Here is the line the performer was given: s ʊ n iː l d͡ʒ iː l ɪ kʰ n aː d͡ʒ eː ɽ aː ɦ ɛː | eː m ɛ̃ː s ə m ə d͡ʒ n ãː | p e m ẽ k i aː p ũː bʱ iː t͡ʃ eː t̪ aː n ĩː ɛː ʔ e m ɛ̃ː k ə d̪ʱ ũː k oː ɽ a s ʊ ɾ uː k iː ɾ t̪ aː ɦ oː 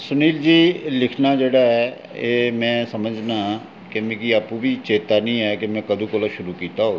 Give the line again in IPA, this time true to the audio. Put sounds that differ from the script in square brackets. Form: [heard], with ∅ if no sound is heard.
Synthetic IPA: s ʊ n iː l d͡ʒ iː l ɪ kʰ n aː d͡ʒ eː ɽ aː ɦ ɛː | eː m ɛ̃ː s ə m ə d͡ʒ n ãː | [k] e m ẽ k i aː p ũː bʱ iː t͡ʃ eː t̪ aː n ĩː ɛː [k] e m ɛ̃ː k ə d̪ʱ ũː k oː [l] a [ʃ] ʊ ɾ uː k iː [∅] t̪ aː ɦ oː